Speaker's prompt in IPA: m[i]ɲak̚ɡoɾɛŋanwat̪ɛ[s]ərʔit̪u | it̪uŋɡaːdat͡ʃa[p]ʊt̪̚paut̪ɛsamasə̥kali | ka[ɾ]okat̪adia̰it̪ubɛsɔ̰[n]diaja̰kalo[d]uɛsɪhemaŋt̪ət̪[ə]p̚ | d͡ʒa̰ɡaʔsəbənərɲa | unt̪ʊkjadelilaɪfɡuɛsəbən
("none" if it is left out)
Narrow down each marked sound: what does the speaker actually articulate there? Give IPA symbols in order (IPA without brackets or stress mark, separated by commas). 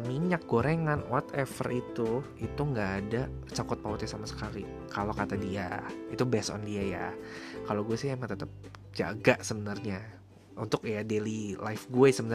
i, f, k, l, n, ɡ, ə